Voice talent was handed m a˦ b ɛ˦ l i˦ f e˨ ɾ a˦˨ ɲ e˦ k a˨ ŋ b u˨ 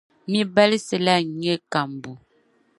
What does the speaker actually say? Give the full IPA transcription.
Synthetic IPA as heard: m i˦ b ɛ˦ l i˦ s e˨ l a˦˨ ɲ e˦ k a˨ m b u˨

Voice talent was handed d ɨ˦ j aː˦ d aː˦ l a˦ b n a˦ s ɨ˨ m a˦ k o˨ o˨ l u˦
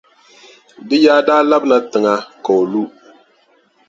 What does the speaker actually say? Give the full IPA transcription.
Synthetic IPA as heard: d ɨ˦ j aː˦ d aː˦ l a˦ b n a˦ t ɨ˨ ŋ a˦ k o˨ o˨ l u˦

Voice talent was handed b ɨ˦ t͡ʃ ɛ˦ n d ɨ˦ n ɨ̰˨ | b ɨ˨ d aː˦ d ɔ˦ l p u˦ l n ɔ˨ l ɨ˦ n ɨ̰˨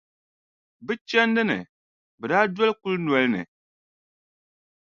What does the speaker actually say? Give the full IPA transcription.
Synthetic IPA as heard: b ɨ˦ t͡ʃ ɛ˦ n d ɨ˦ n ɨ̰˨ | b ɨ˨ d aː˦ d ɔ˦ l k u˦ l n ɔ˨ l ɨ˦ n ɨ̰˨

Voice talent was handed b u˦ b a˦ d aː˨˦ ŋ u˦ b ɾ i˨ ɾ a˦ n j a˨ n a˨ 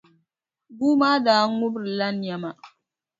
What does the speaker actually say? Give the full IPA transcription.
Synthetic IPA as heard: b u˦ m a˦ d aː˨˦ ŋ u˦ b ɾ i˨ l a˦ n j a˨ m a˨

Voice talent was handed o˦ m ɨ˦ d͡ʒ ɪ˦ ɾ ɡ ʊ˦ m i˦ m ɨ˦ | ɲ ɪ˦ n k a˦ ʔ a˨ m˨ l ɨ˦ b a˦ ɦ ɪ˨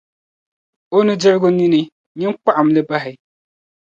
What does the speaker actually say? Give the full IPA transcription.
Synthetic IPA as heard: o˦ n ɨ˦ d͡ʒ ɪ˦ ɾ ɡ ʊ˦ n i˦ n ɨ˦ | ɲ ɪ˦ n k͡p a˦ ʔ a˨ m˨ l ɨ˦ b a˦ ɦ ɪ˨

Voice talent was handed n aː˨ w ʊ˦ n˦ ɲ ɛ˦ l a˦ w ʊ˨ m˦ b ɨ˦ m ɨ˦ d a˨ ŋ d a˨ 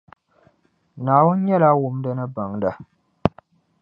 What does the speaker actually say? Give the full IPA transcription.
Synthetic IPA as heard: n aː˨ w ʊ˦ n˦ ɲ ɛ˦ l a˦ w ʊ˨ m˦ d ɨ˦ n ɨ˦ b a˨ ŋ d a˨

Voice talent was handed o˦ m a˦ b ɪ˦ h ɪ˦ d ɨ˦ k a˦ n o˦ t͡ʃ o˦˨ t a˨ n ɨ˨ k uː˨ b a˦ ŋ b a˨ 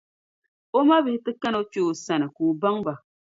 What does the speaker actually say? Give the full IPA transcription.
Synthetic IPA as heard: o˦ m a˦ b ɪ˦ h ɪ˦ t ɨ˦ k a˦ n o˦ t͡ʃ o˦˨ s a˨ n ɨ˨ k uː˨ b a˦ ŋ b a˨

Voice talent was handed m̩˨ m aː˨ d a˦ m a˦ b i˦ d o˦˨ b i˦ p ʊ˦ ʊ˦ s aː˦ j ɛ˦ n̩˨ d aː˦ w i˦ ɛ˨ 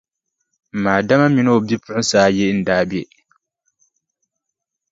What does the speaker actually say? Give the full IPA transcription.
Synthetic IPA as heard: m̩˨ m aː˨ d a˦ m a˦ m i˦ n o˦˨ b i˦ p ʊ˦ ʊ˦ s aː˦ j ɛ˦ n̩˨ d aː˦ b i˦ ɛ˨

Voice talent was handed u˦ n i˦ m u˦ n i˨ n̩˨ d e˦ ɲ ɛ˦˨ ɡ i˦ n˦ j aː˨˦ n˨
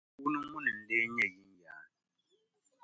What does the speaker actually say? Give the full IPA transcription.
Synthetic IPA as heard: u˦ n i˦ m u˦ n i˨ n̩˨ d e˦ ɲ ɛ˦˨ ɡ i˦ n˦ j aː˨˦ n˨

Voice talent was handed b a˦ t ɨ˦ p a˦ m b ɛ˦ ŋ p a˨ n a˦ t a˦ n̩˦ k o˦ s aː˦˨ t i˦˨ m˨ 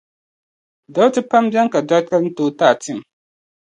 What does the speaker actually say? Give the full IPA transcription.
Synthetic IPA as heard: d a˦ t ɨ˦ p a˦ m b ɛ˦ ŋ k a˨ d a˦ k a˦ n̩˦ t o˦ t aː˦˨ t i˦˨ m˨

